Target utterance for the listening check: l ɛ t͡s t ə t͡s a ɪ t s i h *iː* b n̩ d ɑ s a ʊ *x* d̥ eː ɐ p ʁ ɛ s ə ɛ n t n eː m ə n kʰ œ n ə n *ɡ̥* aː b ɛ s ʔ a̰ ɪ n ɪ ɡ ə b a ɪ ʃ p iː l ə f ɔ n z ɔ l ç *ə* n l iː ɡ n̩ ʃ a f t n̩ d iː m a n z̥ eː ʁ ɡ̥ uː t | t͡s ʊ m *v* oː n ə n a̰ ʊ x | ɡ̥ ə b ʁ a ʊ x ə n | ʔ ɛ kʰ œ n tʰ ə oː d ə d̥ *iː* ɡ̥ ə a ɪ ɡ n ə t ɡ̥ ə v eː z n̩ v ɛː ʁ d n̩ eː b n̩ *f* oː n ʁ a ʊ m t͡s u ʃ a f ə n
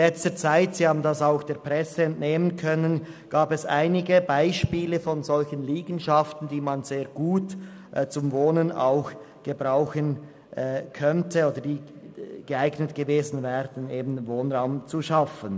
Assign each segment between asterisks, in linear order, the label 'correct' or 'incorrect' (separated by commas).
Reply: incorrect, correct, correct, correct, correct, correct, incorrect